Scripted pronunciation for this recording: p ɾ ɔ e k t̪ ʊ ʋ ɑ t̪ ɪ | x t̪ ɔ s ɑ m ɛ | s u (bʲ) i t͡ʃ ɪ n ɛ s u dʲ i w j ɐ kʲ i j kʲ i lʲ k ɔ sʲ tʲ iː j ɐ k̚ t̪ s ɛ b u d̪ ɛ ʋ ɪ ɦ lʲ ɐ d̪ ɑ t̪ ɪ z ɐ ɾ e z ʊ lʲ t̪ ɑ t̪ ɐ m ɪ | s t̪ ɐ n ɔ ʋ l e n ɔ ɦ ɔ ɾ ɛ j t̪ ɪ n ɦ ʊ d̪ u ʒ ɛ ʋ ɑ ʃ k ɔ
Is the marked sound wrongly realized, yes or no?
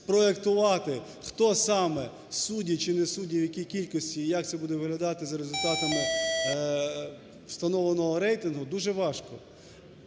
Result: yes